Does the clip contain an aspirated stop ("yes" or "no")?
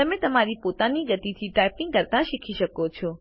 yes